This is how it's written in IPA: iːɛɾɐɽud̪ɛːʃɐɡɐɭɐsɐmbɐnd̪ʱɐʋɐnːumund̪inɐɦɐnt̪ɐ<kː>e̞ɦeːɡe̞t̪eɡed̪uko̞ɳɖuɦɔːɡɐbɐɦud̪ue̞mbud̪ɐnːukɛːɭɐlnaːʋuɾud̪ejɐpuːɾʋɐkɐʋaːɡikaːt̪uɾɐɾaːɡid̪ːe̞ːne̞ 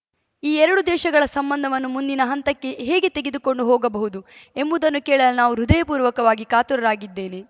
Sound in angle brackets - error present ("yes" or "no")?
no